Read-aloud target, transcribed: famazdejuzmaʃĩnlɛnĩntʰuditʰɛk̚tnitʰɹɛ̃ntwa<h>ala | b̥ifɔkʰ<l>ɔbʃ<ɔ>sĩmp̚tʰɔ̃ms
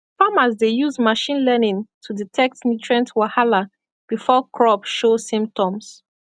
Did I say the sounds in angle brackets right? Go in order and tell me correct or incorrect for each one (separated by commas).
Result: correct, incorrect, incorrect